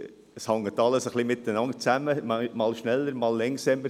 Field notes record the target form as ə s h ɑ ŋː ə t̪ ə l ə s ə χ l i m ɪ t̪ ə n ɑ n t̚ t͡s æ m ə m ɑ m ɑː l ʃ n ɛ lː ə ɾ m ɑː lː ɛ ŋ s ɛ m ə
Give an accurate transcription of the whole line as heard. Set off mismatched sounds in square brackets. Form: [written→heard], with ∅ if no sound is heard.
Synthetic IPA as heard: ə s h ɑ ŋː ə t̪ [ə→ɑ] l ə s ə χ l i m ɪ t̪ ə n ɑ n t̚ t͡s æ m ə m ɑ m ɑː l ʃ n ɛ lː ə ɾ m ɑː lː ɛ ŋ s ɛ m ə